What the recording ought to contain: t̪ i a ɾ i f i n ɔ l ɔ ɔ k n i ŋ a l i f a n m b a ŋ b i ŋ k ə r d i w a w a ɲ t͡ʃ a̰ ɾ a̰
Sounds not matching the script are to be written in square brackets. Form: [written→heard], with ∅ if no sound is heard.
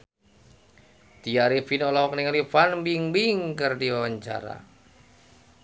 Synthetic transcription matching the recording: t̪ i a ɾ i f i n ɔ l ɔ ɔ k n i ŋ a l i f a n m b [a→i] ŋ b i ŋ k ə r d i w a w a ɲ t͡ʃ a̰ ɾ a̰

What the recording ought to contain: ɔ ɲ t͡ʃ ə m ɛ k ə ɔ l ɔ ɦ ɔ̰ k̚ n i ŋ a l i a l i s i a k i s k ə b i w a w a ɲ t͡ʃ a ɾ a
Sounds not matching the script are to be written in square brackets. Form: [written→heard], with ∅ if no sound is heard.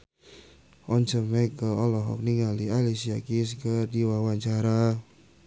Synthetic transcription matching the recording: ɔ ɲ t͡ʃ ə m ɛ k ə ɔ l ɔ ɦ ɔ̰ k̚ n i ŋ a l i a l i s i a k i s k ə [b→d] i w a w a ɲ t͡ʃ a ɾ a

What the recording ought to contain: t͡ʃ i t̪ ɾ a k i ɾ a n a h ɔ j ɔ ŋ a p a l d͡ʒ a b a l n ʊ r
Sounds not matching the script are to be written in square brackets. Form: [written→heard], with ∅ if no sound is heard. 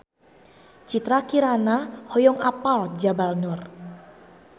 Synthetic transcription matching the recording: t͡ʃ i t̪ ɾ a k i ɾ a n a h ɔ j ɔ ŋ a p a l d͡ʒ a b a l n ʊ r

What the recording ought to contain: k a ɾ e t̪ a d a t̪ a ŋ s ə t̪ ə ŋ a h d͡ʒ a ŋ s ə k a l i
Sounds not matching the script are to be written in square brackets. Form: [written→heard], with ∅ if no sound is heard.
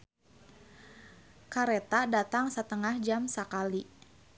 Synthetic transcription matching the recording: k a ɾ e t̪ a d a t̪ a ŋ s ə t̪ ə ŋ a h d͡ʒ a [ŋ→m] s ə k a l i

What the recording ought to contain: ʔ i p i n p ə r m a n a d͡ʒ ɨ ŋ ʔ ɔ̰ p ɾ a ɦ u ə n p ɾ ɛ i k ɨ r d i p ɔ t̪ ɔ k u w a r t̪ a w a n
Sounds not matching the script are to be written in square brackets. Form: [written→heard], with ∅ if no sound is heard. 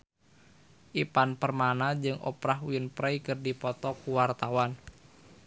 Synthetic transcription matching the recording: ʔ i p [i→a] n p ə r m a n a d͡ʒ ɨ ŋ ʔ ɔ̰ p ɾ a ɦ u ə n p ɾ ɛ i k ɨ r d i p ɔ t̪ ɔ k u w a r t̪ a w a n

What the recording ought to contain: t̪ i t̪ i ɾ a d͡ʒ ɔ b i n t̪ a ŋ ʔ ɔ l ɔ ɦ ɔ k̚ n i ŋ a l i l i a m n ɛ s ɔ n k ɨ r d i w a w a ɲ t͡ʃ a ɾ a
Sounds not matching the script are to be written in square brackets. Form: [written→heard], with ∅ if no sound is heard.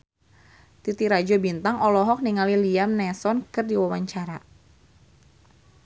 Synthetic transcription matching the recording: t̪ i t̪ i ɾ a d͡ʒ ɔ b i n t̪ a ŋ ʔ ɔ l ɔ ɦ ɔ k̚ n i ŋ a l i l i a m n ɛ s ɔ n k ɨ r d i w a w a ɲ t͡ʃ a ɾ a

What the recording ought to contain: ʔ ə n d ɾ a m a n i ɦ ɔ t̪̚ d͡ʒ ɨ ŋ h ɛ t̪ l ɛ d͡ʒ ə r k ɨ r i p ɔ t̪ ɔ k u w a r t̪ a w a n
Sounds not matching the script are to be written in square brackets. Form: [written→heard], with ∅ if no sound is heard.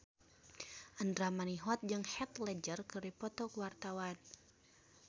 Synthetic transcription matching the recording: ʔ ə n d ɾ a m a n i ɦ ɔ t̪̚ d͡ʒ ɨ ŋ h ɛ t̪ l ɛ d͡ʒ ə r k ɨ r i p ɔ t̪ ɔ k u w a r t̪ a w a n

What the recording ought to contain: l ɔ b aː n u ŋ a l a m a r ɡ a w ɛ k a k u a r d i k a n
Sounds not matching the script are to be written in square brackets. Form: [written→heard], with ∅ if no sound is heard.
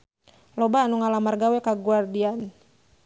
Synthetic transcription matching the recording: l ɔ b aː n u ŋ a l a m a r ɡ a w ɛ k a [k→ɡ] u a r d i [k→∅] a n

